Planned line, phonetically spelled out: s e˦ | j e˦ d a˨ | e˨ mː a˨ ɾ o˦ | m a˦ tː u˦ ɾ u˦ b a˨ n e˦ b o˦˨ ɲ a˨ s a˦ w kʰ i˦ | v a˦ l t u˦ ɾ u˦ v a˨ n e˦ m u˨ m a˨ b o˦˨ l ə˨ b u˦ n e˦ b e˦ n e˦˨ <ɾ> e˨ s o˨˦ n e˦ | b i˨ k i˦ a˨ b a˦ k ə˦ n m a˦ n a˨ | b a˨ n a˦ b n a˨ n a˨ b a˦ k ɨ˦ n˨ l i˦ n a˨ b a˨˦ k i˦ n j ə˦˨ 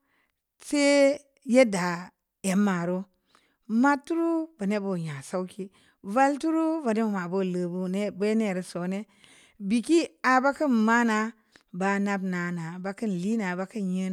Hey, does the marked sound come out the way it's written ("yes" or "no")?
yes